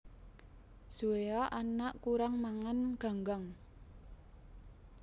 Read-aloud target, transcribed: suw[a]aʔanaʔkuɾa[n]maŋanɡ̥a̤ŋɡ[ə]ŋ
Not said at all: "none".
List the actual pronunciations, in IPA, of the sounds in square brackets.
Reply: e, ŋ, a

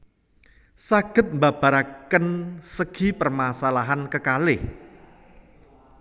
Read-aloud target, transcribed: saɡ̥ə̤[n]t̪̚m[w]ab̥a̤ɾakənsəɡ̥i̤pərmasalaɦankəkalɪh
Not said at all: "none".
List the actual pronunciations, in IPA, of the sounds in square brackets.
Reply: none, b

